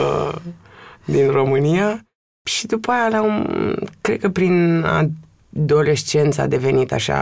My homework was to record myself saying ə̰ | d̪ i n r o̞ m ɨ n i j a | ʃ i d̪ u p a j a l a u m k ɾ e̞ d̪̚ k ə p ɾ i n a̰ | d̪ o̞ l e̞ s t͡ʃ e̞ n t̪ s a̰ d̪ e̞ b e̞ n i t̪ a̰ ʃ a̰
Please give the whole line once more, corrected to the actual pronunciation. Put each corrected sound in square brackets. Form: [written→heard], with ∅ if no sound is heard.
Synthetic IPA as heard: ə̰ | d̪ i n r o̞ m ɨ n i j a | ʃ i d̪ u p a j a l a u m k ɾ e̞ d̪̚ k ə p ɾ i n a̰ | d̪ o̞ l e̞ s t͡ʃ e̞ n t̪ s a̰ d̪ e̞ [b→v] e̞ n i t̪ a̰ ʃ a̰